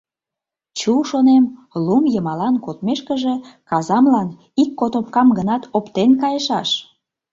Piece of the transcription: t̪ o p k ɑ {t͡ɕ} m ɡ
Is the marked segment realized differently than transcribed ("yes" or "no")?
yes